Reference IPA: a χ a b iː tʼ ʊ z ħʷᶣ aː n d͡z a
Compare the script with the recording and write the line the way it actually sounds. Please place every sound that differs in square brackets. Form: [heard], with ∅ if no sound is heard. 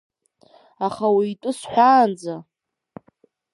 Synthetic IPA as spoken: a χ a [w] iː tʼ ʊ [s] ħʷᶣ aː n d͡z a